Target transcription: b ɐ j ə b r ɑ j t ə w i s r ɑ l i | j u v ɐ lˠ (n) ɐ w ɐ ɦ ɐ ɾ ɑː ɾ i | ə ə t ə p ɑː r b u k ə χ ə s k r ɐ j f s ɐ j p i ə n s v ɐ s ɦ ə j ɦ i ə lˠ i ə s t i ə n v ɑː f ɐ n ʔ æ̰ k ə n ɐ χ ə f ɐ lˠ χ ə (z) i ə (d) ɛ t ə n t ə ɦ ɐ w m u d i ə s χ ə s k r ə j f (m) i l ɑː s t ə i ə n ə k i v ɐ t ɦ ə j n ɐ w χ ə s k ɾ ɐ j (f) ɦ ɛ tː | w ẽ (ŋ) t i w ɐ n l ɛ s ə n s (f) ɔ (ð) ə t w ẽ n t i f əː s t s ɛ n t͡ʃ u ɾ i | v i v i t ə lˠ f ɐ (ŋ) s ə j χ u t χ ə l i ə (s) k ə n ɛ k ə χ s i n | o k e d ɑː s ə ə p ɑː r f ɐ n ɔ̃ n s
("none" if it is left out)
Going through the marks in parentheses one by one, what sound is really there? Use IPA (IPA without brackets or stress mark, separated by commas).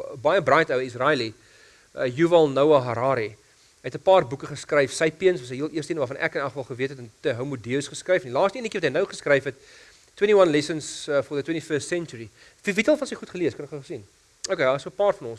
n, v, t, n, f, n, f, ð, n, s